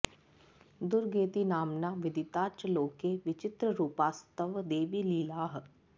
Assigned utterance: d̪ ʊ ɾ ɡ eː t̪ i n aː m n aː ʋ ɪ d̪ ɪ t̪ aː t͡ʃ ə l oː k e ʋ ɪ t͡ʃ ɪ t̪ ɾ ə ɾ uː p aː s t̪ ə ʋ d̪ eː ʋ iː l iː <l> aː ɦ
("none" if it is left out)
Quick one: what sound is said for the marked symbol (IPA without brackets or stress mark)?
l